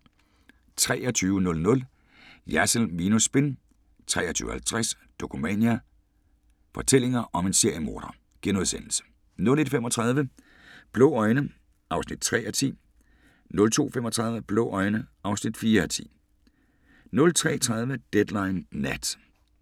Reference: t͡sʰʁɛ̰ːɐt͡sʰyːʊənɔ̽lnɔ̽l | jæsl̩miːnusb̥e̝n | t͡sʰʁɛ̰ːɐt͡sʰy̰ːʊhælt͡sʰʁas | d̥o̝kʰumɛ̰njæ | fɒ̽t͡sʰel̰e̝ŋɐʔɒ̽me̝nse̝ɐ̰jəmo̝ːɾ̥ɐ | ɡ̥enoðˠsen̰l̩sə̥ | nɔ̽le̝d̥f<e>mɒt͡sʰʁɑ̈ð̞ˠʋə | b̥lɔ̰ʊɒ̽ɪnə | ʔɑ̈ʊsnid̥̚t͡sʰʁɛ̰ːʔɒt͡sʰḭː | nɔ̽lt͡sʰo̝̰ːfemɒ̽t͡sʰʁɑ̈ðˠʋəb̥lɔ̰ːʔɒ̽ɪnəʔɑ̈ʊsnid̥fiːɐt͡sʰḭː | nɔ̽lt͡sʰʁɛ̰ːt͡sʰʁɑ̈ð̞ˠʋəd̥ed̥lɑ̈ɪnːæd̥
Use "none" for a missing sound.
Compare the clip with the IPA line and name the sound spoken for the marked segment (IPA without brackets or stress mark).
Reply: e